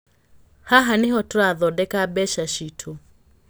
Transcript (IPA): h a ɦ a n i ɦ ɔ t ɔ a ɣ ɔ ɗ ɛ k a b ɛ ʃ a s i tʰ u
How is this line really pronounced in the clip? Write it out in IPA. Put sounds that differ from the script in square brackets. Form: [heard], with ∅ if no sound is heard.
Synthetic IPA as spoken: h a ɦ a n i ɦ ɔ t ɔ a [ð] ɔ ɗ ɛ k a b ɛ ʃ a [ʃ] i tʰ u